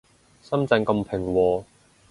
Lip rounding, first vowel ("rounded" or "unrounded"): unrounded